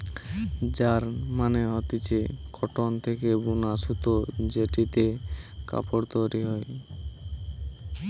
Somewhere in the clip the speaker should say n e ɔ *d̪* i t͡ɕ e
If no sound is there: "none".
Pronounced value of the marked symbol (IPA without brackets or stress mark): t̪